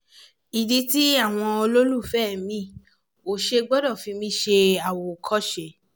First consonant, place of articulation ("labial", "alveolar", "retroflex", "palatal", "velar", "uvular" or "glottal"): alveolar